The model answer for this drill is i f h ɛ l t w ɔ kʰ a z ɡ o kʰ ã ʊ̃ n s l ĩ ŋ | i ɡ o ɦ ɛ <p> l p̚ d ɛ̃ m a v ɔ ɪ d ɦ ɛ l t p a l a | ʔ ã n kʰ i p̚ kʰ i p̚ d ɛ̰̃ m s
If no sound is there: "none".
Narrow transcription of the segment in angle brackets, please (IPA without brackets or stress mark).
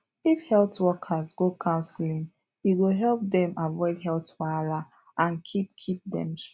none